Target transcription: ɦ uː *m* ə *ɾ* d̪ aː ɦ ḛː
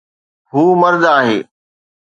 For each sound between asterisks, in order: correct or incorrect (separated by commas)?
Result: correct, correct